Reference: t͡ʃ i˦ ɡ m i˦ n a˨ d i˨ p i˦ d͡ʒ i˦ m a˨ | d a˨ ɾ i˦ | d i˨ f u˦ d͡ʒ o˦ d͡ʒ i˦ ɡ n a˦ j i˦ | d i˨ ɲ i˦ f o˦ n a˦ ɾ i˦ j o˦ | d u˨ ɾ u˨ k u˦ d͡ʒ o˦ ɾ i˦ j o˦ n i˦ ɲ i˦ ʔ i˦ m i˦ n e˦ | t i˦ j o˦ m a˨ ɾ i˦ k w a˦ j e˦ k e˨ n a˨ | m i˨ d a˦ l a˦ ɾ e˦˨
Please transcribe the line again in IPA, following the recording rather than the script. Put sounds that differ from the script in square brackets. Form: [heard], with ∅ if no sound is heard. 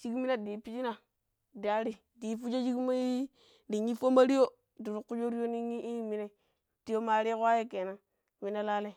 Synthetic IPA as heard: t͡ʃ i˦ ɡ m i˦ n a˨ d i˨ p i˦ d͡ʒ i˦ [n] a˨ | d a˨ ɾ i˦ | d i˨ f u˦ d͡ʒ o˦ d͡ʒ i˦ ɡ [m] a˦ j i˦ | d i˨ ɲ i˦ f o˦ [m] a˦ ɾ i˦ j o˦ | d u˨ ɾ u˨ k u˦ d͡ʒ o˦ ɾ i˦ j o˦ n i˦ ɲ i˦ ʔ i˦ m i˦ n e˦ | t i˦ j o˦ m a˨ ɾ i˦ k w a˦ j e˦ k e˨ n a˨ | m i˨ [n] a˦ l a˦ [l] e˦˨